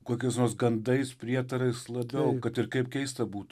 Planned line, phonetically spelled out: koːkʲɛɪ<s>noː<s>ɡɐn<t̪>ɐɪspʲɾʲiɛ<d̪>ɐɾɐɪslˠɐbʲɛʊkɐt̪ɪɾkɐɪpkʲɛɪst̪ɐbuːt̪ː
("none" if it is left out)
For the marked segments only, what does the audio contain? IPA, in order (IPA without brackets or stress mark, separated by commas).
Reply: s, s, d̪, t̪